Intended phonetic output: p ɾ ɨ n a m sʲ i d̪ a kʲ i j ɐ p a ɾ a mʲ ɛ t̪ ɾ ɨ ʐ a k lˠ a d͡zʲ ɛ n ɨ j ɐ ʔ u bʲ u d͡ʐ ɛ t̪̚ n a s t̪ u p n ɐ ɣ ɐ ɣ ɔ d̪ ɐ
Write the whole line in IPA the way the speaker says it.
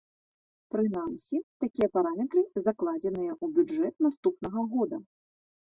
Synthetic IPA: p ɾ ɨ n a m sʲ i t̪ a kʲ i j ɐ p a ɾ a mʲ ɛ t̪ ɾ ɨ z a k lˠ a d͡zʲ ɛ n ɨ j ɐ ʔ u bʲ u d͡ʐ ɛ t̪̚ n a s t̪ u p n ɐ ɣ ɐ ɣ ɔ d̪ ɐ